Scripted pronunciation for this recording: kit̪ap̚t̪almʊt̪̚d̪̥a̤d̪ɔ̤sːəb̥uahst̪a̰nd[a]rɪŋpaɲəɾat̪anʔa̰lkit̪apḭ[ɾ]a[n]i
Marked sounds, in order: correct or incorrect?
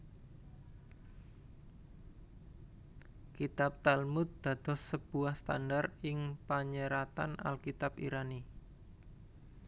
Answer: correct, correct, correct

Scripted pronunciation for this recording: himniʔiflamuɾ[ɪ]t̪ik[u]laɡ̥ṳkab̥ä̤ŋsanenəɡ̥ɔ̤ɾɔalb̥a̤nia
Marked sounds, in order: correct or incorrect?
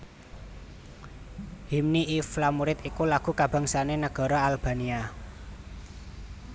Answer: correct, correct

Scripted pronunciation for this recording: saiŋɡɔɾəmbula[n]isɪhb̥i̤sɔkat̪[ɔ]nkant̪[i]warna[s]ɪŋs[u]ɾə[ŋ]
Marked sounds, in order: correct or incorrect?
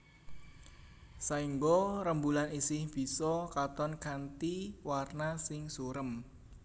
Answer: correct, correct, correct, correct, correct, incorrect: m

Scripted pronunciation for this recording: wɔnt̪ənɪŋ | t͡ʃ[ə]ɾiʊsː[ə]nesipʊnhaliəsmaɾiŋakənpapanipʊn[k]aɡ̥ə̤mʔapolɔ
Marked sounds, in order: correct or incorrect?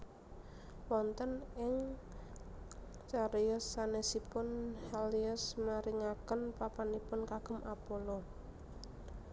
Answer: incorrect: a, incorrect: a, correct

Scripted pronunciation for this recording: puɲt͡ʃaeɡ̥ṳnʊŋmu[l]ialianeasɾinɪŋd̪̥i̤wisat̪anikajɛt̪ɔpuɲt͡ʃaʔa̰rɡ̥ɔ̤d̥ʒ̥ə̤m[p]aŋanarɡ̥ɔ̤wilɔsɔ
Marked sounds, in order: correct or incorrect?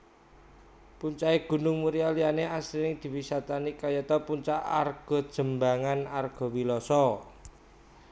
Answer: incorrect: ɾ, incorrect: b

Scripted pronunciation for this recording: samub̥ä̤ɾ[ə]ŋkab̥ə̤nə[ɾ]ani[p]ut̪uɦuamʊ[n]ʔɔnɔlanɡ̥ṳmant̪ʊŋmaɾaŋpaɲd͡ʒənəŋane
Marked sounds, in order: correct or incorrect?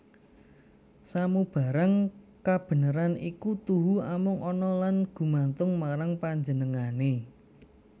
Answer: incorrect: a, correct, incorrect: k, incorrect: ŋ

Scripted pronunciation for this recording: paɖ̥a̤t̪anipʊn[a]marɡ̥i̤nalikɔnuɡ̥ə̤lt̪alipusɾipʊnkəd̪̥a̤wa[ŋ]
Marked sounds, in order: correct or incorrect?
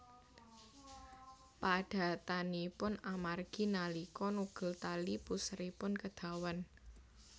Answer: correct, incorrect: n

